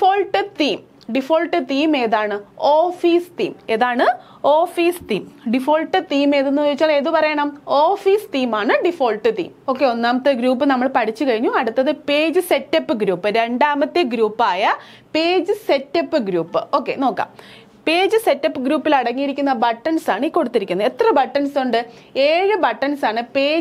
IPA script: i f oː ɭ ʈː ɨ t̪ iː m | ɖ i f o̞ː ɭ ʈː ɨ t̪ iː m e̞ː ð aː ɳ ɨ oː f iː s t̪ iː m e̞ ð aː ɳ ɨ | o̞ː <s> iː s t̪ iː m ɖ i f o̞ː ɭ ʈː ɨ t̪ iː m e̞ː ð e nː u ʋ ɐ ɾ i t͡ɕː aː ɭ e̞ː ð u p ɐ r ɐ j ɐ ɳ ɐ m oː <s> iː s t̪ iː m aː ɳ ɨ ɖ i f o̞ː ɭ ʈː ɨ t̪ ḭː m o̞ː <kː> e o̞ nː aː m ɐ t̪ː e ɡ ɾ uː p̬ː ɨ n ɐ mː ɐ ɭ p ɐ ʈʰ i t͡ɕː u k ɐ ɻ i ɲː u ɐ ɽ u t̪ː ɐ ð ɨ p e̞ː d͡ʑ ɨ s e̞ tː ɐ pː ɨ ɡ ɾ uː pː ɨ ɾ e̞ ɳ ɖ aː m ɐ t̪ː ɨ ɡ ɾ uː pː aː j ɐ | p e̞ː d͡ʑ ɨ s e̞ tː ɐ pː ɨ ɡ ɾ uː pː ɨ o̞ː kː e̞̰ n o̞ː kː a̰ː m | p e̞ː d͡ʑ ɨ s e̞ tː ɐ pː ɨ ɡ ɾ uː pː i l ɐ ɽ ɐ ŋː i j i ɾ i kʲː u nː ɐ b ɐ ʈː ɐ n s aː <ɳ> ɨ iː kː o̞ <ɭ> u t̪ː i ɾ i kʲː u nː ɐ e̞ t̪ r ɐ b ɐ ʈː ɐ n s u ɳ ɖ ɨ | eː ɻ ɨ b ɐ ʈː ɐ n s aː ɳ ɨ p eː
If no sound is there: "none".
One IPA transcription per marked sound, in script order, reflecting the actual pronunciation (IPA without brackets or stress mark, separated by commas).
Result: f, f, kː, ɳ, ɽ